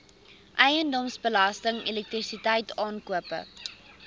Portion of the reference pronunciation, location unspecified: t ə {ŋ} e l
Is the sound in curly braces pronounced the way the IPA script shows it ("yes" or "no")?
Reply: yes